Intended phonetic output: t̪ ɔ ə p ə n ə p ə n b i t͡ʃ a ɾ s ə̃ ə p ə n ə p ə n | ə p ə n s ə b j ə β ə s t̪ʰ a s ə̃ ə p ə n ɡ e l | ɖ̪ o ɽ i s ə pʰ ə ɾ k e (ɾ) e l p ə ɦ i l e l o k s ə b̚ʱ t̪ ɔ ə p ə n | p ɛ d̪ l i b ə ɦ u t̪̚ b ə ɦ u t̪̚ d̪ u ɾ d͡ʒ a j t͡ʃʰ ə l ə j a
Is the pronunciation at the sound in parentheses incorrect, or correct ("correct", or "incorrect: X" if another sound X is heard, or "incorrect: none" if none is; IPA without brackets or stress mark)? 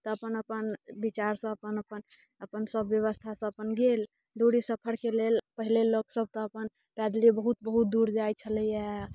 incorrect: l